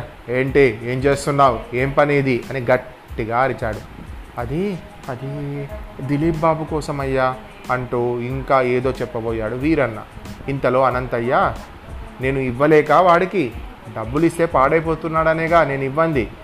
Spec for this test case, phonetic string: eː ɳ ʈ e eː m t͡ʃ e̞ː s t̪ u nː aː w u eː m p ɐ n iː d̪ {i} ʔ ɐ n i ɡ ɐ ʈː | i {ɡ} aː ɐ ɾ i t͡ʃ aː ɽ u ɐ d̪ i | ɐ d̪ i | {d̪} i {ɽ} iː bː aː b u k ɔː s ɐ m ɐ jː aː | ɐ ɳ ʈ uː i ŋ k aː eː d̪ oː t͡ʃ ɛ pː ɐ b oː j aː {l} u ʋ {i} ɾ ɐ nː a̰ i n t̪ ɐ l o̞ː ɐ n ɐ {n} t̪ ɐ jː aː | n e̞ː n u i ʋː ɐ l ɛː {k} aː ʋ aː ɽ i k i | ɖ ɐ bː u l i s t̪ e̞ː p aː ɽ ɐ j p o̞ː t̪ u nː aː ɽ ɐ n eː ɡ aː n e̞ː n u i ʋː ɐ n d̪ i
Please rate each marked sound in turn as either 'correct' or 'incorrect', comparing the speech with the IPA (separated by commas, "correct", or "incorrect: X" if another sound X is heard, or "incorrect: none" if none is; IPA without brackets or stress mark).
correct, correct, correct, incorrect: l, incorrect: ɽ, incorrect: iː, correct, correct